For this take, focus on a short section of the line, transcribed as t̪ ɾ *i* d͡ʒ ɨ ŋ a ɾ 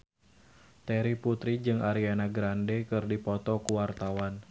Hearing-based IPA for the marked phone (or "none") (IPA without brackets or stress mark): i